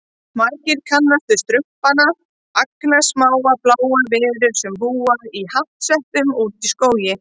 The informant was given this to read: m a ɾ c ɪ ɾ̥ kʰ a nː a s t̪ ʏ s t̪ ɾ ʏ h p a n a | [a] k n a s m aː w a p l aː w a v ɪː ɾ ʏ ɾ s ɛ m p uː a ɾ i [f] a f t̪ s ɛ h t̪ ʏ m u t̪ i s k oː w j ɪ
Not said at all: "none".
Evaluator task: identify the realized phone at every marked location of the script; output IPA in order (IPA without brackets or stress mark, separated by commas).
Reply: a, h